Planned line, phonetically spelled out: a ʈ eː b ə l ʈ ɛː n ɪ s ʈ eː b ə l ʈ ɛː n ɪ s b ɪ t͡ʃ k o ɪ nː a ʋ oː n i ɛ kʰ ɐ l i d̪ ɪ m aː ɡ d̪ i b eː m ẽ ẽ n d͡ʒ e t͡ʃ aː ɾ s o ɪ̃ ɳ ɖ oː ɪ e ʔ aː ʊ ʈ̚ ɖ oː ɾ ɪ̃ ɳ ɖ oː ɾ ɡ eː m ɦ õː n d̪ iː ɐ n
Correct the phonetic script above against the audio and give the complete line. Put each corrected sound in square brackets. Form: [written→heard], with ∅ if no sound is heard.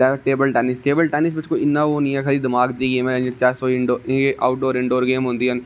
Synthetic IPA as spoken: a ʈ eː b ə l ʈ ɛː n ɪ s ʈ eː b ə l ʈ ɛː n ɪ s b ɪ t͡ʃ k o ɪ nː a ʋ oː n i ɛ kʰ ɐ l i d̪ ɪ m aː ɡ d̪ i [b→ɡ] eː m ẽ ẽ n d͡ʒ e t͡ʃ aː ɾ s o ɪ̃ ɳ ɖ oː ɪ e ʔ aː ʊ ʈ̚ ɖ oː ɾ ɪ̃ ɳ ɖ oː ɾ ɡ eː m ɦ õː n d̪ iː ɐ n